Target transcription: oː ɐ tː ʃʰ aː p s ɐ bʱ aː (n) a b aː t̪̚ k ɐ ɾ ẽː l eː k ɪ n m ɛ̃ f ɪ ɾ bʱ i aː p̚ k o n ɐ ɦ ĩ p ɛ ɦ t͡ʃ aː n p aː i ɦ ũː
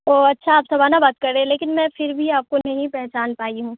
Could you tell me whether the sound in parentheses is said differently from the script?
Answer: no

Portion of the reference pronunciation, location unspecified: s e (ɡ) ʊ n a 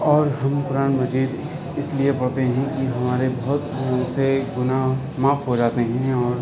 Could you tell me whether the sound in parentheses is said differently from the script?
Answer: no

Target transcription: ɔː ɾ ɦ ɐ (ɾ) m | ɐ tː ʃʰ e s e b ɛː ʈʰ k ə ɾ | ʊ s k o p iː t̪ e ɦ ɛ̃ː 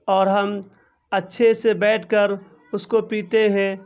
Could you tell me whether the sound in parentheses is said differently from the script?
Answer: yes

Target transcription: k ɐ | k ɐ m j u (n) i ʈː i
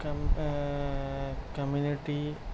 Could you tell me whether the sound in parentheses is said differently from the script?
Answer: no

